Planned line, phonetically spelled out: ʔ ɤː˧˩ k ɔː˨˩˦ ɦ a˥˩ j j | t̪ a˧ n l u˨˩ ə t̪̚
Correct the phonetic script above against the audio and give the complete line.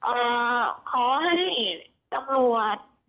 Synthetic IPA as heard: ʔ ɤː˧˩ kʰ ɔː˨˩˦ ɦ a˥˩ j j | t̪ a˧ m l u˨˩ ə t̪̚